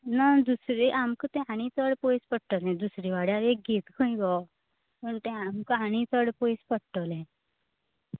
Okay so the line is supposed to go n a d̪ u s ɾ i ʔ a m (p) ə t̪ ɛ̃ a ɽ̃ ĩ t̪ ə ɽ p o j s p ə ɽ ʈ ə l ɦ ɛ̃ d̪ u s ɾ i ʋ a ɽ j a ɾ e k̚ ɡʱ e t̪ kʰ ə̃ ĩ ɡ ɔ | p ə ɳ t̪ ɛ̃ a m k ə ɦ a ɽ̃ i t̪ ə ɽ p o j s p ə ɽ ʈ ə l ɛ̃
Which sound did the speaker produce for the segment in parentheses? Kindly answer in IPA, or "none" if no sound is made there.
k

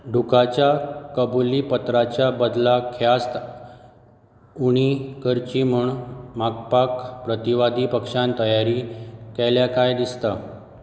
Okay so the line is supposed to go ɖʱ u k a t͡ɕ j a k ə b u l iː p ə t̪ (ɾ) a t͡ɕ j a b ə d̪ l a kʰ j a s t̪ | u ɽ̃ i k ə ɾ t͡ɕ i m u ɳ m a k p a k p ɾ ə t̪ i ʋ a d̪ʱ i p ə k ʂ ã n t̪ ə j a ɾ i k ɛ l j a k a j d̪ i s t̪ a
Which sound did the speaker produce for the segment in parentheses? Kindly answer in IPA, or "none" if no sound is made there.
ɾ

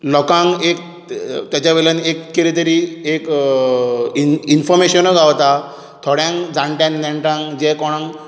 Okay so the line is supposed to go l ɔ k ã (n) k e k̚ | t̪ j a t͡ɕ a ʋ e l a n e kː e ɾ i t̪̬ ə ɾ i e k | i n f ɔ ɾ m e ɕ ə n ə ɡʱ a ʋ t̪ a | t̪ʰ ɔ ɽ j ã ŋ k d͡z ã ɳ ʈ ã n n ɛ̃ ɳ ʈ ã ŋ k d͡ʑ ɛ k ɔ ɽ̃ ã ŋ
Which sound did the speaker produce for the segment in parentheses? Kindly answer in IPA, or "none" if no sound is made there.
ŋ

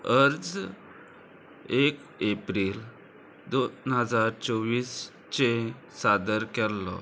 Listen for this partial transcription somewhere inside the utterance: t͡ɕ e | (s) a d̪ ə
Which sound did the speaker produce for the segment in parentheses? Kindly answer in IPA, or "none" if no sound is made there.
s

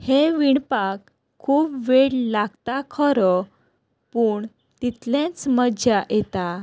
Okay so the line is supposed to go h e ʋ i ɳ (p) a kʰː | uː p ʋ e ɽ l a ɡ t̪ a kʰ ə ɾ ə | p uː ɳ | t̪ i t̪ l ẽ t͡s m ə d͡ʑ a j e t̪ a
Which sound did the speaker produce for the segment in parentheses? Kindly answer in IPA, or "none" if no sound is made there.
p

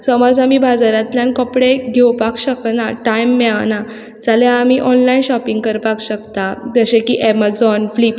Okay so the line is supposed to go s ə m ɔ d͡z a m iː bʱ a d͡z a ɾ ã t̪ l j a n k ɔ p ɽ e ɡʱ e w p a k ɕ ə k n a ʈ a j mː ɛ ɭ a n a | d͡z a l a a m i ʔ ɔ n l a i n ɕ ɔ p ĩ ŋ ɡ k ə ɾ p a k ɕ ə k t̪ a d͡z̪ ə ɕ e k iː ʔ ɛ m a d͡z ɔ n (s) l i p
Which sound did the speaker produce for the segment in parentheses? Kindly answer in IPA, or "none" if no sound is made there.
f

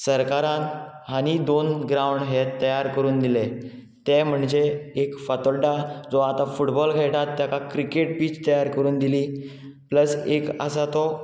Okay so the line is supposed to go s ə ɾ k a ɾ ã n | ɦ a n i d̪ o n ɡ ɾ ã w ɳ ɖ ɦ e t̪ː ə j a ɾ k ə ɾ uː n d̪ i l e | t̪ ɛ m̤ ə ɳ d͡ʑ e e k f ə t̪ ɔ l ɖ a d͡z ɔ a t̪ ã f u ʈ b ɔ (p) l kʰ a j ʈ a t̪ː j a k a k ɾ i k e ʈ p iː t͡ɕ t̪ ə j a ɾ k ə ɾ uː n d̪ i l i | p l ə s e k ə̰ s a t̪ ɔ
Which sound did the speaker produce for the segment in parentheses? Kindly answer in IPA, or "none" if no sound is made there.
none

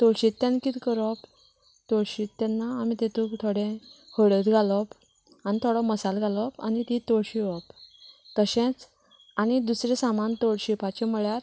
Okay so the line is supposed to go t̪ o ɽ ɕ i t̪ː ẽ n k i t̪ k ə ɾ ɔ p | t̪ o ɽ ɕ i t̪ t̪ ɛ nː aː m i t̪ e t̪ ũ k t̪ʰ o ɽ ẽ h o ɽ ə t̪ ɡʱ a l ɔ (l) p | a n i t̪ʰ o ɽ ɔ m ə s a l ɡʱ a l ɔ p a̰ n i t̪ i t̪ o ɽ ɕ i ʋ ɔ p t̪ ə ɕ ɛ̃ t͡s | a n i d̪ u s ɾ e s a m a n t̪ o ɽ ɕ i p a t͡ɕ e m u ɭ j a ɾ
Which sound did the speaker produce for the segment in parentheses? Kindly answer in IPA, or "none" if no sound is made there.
none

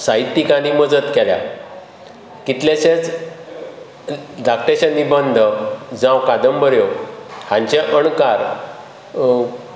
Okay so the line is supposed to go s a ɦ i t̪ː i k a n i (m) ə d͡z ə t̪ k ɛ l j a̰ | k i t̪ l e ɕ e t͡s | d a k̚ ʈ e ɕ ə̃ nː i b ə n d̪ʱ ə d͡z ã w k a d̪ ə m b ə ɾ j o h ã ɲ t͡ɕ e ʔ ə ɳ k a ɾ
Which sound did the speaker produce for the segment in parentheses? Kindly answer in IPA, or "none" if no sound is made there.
m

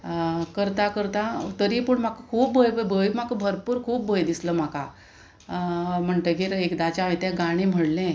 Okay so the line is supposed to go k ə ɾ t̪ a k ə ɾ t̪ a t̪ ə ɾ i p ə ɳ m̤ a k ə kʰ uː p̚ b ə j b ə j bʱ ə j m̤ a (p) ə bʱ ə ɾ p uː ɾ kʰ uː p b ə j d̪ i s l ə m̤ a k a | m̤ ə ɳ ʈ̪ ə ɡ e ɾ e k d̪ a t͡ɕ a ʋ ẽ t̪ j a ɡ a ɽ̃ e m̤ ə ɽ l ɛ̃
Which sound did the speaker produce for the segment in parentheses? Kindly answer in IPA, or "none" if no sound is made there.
k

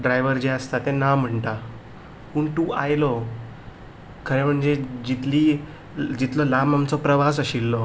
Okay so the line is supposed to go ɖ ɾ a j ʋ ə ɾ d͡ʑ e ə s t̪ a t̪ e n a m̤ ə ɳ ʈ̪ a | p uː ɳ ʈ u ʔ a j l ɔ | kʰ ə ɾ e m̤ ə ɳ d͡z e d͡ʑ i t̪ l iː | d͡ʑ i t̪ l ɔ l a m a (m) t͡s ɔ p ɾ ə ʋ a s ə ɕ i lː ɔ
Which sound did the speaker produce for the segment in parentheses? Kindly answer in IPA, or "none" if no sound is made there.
m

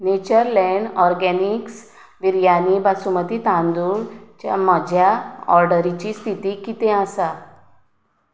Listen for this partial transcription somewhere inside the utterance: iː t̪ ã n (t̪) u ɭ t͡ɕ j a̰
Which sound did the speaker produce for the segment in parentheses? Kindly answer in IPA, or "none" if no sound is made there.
d̪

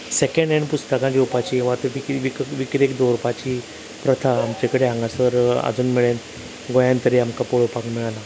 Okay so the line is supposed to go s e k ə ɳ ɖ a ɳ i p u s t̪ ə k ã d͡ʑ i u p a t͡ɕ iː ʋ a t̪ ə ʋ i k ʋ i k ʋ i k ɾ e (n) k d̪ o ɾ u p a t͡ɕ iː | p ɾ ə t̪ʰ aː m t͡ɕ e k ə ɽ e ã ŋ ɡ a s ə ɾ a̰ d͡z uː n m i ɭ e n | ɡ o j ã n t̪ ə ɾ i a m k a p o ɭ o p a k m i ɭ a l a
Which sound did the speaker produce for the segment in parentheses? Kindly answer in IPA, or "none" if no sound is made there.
none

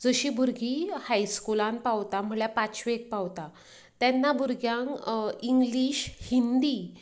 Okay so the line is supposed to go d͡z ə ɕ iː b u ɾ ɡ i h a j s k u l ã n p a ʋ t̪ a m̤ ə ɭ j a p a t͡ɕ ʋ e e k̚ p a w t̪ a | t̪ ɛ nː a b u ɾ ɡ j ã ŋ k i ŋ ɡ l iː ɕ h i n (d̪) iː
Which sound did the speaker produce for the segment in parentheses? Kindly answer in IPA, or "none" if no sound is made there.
d̪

